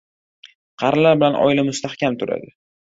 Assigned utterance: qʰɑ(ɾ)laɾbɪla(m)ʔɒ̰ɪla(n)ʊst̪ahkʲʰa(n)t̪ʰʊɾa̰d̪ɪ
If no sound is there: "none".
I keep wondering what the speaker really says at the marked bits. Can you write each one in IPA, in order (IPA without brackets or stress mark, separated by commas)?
ɾ, n, m, m